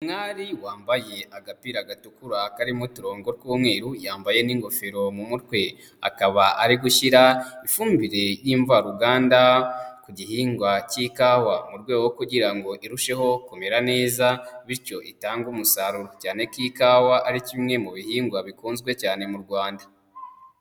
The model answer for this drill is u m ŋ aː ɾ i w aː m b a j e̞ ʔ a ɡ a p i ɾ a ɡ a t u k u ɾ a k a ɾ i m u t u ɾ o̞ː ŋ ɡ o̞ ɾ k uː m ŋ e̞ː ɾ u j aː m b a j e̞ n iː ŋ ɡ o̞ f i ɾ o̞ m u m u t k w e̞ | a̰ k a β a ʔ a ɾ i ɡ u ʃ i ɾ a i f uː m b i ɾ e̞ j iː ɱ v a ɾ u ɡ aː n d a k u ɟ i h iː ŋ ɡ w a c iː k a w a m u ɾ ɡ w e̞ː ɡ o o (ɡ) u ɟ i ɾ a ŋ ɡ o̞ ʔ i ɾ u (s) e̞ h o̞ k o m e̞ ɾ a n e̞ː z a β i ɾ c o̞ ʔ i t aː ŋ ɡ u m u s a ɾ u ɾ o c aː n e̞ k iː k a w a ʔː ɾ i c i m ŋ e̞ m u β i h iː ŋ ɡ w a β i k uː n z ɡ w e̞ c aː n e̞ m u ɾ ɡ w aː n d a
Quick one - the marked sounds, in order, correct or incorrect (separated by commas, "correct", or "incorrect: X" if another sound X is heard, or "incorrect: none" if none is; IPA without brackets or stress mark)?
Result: incorrect: k, incorrect: ʃ